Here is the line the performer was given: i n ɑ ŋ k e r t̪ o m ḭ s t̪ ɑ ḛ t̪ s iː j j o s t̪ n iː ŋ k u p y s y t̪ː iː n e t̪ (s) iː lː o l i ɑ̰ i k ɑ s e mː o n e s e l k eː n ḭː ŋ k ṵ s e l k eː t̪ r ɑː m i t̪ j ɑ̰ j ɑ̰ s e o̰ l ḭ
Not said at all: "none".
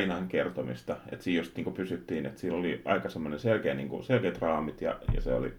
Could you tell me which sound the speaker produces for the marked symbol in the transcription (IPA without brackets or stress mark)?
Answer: s